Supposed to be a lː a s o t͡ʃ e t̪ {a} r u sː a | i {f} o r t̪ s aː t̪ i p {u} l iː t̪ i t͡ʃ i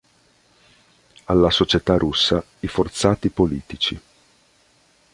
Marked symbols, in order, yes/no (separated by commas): yes, yes, no